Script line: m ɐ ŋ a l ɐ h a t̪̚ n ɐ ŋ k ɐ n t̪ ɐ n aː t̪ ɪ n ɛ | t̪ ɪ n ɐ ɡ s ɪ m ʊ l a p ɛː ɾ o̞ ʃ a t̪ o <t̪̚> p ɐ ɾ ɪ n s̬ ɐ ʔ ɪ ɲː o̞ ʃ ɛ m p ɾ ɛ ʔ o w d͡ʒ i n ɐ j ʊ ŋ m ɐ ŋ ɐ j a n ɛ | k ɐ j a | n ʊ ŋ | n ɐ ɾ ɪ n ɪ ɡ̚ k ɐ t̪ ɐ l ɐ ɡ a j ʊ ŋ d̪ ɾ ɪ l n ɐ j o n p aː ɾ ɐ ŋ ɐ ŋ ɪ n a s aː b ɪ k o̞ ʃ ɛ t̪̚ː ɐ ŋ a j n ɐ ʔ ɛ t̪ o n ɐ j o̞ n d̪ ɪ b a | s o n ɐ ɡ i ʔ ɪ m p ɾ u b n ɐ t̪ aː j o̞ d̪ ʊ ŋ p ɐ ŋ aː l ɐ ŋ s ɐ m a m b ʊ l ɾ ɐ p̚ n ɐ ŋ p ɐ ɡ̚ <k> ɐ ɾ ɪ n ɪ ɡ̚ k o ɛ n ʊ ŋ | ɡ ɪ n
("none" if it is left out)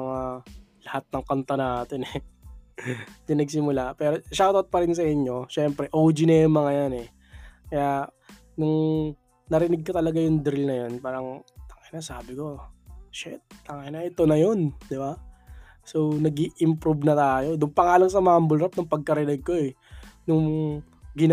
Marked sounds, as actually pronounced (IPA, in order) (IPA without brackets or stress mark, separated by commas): t̪̚, k